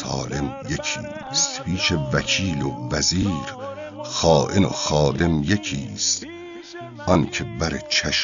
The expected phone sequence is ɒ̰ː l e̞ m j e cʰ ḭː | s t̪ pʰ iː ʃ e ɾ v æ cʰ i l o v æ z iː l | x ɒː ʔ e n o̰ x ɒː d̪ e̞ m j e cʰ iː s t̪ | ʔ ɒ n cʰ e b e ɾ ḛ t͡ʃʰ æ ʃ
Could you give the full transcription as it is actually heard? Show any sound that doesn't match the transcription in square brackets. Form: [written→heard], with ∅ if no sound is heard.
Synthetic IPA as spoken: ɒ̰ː l e̞ m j e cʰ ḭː | s t̪ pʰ iː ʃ e [ɾ→∅] v æ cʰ [i→iː] l o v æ z iː [l→ɾ] | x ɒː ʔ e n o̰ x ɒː d̪ e̞ m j e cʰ iː s t̪ | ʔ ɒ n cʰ e b [e→æ] ɾ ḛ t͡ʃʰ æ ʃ